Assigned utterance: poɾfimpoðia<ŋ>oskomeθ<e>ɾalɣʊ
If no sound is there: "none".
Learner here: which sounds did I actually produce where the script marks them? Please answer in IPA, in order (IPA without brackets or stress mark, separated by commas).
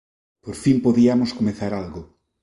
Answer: m, a